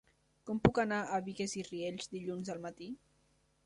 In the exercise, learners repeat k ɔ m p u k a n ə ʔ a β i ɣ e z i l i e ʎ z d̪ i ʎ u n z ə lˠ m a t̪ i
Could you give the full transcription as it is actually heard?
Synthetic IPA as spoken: k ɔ m p u k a n a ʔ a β i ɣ e z i r i e ʎ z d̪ i ʎ u n z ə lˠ m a t̪ i

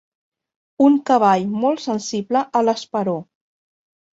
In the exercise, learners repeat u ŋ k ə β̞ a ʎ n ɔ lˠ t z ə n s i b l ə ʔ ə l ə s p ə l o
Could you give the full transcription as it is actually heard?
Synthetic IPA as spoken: u ŋ k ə β̞ a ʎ m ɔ lˠ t s ə n s i b l ə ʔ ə l ə s p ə ɾ o

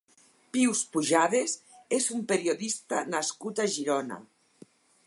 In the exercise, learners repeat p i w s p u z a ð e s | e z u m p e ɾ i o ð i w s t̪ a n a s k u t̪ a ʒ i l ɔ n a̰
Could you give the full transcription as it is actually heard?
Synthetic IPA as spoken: p i w s p u ʒ a ð e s | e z u m p e ɾ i o ð i s t̪ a n a s k u t̪ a ʒ i ɾ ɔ n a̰

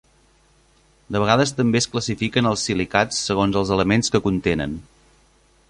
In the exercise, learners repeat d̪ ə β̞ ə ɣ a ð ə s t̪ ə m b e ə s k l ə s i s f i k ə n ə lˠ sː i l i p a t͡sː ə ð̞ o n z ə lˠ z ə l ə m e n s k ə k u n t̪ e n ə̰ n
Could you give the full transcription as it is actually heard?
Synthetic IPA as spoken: d̪ ə β̞ ə ɣ a ð ə s t̪ ə m b e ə s k l ə s i f i k ə n ə lˠ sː i l i k a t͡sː ə ɣ̞ o n z ə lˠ z ə l ə m e n s k ə k u n t̪ e n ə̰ n

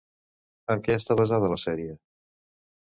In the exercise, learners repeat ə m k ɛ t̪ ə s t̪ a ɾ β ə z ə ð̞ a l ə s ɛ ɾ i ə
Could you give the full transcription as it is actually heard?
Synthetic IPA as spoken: ə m k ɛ ə s t̪ a β ə z a ð̞ ə l ə s ɛ ɾ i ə

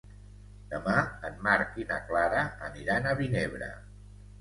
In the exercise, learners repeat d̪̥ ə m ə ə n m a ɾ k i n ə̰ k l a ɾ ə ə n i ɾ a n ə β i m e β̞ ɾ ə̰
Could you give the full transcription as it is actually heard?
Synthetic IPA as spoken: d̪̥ ə m a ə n m a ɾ k i n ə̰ k l a ɾ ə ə n i ɾ a n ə β i n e β̞ ɾ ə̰

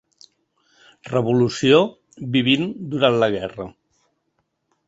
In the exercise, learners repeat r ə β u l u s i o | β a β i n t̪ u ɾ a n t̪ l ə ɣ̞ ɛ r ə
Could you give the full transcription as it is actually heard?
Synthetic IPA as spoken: r ə β u l u s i o | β i β i n d̪ u ɾ a n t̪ l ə ɣ̞ ɛ r ə

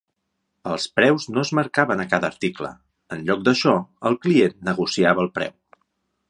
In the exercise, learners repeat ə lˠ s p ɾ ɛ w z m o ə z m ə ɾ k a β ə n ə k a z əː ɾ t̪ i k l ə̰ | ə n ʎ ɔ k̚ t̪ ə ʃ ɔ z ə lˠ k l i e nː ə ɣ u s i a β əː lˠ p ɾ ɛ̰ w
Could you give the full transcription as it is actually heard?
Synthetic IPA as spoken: ə lˠ s p ɾ ɛ w z n o ə z m ə ɾ k a β ə n ə k a ð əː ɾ t̪ i k l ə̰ | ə n ʎ ɔ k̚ d̪ ə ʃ ɔ ə lˠ k l i e nː ə ɣ u s i a β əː lˠ p ɾ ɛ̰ w

